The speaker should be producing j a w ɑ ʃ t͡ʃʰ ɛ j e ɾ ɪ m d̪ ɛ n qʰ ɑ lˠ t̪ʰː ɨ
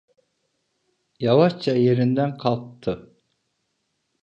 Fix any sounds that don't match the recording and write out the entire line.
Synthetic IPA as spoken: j ɑ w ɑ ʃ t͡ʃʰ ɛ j e ɾ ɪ n d̪ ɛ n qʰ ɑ lˠ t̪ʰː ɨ